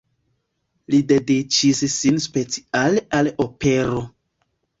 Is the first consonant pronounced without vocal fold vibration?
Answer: no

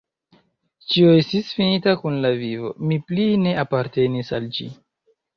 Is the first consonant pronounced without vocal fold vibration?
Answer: yes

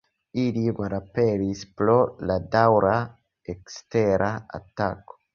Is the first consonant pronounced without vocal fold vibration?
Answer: no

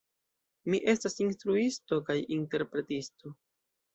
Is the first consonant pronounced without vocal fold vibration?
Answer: no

